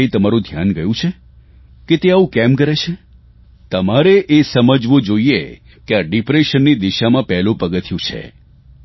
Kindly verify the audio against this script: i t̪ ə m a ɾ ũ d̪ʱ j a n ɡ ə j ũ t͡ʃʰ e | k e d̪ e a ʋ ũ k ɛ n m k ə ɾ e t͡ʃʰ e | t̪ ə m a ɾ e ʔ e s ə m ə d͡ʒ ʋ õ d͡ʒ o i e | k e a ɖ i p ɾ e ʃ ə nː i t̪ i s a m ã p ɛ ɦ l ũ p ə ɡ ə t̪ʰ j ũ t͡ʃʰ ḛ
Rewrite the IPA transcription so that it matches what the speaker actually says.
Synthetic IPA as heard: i t̪ ə m a ɾ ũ d̪ʱ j a n ɡ ə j ũ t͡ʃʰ e | k e t̪ e a ʋ ũ k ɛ m k ə ɾ e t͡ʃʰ e | t̪ ə m a ɾ e ʔ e s ə m ə d͡ʒ ʋ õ d͡ʒ o i e | k e a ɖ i p ɾ e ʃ ə nː i d̪ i ʃ a m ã p ɛ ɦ l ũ p ə ɡ ə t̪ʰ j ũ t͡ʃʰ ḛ